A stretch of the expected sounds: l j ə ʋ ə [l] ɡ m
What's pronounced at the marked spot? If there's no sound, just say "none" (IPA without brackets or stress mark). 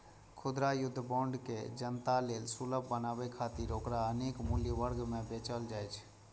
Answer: ɾ